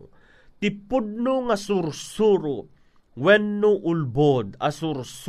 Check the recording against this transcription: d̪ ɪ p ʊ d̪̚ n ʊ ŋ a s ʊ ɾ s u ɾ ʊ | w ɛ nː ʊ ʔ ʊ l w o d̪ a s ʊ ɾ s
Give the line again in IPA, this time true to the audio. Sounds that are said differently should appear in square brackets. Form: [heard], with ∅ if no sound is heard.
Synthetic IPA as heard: [t̪] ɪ p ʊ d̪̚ n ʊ ŋ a s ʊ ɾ s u ɾ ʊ | w ɛ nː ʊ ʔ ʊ l [b] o d̪ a s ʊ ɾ s